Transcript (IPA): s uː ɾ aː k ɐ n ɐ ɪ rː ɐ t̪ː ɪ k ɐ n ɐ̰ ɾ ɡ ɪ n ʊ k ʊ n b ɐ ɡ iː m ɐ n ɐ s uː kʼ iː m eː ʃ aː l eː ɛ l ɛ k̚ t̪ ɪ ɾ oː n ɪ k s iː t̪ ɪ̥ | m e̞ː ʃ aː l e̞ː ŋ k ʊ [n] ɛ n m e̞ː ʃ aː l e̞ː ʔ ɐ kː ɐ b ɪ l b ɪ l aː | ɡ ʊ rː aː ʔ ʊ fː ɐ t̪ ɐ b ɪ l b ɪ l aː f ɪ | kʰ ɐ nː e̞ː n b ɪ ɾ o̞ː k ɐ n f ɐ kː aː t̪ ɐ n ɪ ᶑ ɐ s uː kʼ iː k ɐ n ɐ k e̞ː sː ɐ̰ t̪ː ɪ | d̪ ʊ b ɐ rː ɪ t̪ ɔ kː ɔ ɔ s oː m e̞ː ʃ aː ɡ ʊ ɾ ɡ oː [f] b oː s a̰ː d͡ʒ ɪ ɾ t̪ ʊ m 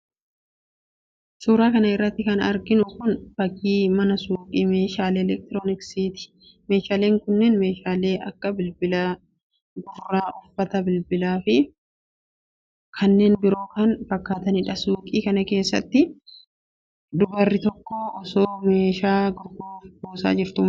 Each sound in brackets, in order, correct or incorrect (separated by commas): incorrect, correct